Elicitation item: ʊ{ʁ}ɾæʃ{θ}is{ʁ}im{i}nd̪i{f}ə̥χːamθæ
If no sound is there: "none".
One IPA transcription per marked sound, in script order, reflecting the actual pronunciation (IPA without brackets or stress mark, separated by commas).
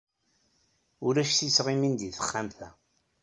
none, θ, ʁ, i, θ